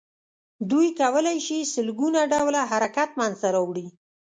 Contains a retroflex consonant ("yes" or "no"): yes